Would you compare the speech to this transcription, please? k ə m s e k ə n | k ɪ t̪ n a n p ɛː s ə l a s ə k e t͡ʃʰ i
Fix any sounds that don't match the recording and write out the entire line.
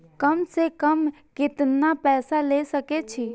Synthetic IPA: k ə m s e k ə m | k ɪ t̪ n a p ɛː s a l e s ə k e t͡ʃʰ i

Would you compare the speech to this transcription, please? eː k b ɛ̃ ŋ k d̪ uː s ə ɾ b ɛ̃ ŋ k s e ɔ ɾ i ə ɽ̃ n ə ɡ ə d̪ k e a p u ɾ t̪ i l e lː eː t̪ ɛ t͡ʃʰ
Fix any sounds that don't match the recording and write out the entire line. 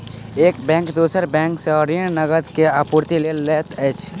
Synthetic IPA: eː k b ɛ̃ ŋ k d̪ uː s ə ɾ b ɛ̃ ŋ k s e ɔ ɾ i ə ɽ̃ n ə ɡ ə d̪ k e a p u ɾ t̪ i l e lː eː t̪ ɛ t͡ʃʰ

